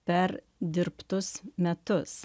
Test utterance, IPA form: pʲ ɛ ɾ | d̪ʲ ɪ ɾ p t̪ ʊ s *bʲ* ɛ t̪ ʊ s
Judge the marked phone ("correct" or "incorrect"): incorrect